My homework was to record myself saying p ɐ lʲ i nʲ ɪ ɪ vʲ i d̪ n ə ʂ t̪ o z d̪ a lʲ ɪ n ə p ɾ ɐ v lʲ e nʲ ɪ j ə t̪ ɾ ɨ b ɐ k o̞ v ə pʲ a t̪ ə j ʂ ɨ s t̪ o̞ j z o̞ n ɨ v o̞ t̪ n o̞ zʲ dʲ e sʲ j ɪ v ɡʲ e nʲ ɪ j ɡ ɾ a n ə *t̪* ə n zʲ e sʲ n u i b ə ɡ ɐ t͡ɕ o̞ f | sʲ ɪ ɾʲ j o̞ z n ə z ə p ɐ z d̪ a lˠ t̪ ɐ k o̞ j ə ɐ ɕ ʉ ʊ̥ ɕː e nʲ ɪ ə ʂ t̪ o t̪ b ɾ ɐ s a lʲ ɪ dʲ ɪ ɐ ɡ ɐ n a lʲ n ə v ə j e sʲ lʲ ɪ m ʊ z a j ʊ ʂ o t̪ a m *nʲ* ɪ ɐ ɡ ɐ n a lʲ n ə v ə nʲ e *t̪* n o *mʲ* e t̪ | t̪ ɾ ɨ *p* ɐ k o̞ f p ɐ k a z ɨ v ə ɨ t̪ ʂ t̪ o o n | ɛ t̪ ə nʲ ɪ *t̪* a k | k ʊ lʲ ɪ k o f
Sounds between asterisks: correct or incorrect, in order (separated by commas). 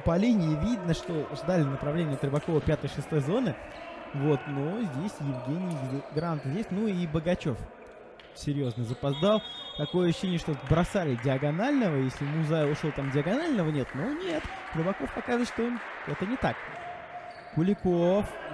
correct, incorrect, correct, incorrect, incorrect, correct